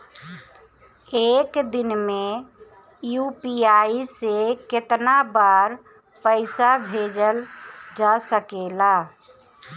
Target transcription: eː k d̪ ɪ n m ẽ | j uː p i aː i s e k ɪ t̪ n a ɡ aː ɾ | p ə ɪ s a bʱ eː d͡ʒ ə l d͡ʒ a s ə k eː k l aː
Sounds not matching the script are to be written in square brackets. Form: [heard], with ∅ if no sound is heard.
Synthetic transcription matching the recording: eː k d̪ ɪ n m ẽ | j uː p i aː i s e k ɪ t̪ n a [b] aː ɾ | p ə ɪ s a bʱ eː d͡ʒ ə l d͡ʒ a s ə k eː [∅] l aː